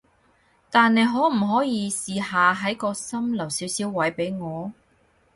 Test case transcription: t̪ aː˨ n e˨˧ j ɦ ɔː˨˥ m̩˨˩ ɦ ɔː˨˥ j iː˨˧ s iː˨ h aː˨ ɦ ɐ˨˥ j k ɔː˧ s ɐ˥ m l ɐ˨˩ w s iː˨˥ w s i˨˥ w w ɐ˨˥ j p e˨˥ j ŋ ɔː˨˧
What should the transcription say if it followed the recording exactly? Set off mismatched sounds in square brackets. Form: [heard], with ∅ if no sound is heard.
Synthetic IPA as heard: t̪ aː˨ n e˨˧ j ɦ ɔː˨˥ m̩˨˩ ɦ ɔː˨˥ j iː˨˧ s iː˨ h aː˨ ɦ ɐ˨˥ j k ɔː˧ s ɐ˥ m l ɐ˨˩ w s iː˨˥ w s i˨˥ w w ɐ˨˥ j p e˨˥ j ŋ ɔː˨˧